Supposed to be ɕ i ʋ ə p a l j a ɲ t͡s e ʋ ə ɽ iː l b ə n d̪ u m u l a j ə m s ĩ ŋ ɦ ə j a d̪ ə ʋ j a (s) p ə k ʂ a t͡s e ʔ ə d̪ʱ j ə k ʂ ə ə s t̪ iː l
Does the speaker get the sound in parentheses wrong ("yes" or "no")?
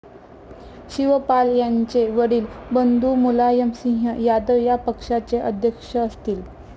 yes